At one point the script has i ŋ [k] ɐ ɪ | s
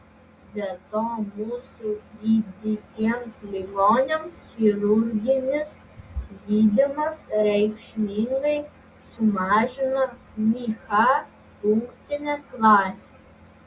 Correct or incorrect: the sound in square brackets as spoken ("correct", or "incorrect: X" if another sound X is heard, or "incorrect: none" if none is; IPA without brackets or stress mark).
incorrect: ɡ